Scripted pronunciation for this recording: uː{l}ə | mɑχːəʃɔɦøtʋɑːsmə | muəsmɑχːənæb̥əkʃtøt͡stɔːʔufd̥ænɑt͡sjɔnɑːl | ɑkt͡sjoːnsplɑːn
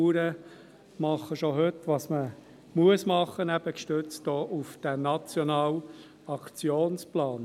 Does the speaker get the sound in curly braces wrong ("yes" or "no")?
yes